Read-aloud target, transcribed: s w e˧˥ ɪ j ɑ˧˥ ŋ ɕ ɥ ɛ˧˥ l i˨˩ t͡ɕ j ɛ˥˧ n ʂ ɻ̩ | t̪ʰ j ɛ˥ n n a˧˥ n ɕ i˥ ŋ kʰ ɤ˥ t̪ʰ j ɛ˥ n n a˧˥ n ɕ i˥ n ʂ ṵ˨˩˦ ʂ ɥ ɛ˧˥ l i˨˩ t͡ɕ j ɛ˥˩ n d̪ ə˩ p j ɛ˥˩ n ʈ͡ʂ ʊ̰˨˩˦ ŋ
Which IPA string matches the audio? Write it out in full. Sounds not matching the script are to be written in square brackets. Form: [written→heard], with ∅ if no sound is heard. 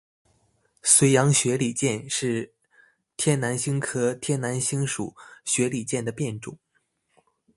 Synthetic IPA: s w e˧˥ ɪ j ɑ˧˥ ŋ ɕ ɥ ɛ˧˥ l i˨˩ t͡ɕ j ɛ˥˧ n ʂ ɻ̩ | t̪ʰ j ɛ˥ n n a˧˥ n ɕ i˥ ŋ kʰ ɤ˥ t̪ʰ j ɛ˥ n n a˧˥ n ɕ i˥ [n→ŋ] ʂ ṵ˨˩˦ [ʂ→ɕ] ɥ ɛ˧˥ l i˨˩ t͡ɕ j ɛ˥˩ n d̪ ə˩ p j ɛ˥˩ n ʈ͡ʂ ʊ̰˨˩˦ ŋ